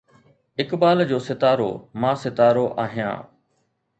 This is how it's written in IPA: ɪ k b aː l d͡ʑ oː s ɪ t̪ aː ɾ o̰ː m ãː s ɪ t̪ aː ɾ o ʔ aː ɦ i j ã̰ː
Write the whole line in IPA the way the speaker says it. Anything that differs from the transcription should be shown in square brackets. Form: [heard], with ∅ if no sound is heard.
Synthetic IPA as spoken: ɪ k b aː l d͡ʑ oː s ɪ t̪ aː ɾ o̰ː m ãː s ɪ t̪ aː ɾ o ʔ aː ɦ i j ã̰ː